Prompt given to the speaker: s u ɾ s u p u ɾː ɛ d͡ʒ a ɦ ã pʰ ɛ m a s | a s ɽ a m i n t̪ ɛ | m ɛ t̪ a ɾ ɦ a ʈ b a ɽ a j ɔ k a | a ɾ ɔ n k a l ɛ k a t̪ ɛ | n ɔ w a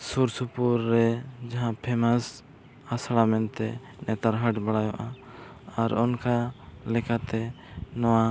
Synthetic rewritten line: s u ɾ s u p u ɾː ɛ d͡ʒ a ɦ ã pʰ ɛ m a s | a s ɽ a m ɛ n t̪ ɛ | n ɛ t̪ a ɾ ɦ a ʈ b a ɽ a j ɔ ʔ a | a ɾ ɔ n k a l ɛ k a t̪ ɛ | n ɔ w a